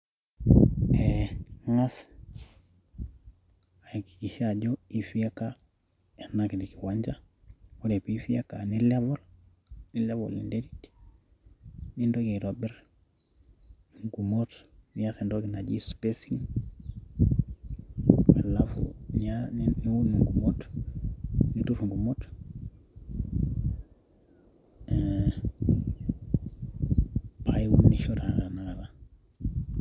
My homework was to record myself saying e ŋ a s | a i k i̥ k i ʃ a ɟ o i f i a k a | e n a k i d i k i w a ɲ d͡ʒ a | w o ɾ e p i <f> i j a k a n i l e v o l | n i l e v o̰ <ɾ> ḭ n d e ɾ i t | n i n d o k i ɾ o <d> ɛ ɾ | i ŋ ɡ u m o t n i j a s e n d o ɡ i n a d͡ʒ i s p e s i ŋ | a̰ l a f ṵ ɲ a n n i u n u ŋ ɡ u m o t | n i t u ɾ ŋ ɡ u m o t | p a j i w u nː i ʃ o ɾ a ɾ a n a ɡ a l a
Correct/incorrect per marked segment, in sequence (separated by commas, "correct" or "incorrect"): correct, incorrect, incorrect